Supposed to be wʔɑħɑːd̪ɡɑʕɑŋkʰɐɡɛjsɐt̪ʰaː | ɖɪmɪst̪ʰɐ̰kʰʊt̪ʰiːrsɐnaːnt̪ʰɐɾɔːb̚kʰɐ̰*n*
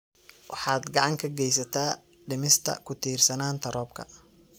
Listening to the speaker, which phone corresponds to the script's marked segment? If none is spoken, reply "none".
none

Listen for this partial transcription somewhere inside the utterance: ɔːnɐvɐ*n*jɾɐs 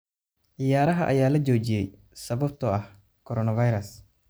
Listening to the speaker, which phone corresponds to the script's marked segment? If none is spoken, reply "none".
none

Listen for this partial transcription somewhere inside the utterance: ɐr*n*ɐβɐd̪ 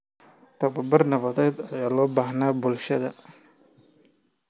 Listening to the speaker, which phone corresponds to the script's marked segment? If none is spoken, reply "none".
n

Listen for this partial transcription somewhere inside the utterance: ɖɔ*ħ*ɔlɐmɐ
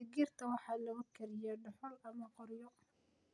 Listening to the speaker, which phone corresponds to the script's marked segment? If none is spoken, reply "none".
ħ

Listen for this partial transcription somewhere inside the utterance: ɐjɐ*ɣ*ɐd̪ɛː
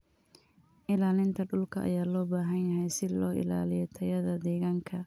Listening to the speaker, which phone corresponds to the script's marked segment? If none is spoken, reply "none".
ð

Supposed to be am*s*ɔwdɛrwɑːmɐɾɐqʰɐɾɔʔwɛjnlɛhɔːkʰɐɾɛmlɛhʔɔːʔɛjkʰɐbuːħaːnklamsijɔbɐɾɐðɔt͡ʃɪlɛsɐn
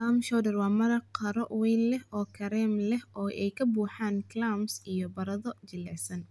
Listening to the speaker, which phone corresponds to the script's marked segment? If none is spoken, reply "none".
ʃ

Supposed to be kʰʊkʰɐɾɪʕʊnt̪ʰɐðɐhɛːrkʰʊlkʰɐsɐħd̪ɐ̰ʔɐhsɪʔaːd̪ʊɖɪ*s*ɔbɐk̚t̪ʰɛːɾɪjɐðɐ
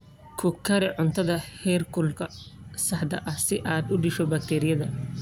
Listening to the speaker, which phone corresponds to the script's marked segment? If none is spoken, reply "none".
ʃ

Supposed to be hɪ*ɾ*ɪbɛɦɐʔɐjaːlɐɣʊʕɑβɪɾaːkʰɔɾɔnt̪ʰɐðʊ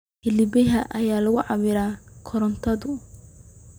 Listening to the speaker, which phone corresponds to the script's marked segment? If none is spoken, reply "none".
l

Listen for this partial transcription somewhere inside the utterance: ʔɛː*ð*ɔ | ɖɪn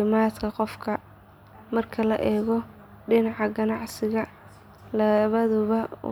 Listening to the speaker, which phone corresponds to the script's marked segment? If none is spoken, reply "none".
ɣ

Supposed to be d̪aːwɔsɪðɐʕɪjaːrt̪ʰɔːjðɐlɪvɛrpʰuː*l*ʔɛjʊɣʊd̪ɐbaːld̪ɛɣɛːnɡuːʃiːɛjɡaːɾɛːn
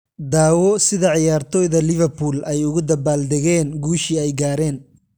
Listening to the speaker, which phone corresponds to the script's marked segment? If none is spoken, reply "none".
l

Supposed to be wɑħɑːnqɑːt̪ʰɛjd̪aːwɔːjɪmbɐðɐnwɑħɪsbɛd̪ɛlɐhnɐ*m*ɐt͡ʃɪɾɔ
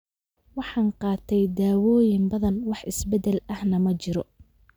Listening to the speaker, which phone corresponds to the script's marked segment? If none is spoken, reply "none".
m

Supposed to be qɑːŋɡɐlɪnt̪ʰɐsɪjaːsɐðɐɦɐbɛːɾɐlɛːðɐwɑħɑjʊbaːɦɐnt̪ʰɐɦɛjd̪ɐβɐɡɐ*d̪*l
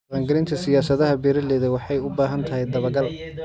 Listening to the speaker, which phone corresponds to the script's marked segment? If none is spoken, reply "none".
none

